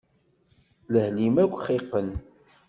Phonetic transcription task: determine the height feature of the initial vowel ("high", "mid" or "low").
mid